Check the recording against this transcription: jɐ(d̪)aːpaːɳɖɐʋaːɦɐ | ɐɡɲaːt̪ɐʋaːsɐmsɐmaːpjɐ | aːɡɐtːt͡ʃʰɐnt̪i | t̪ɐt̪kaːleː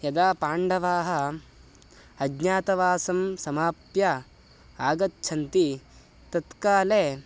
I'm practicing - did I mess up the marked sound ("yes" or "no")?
no